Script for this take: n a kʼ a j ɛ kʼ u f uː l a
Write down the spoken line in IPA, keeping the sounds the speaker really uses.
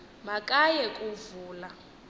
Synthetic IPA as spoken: m a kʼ a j ɛ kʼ u v uː l a